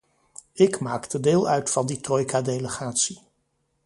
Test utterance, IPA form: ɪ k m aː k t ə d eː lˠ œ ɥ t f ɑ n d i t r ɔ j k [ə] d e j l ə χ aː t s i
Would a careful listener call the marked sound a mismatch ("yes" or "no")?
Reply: yes